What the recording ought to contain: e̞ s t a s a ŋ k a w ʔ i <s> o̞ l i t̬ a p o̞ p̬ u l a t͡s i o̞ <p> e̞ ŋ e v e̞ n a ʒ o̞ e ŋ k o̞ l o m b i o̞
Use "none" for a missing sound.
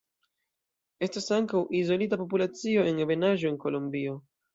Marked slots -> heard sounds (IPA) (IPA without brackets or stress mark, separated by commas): z, none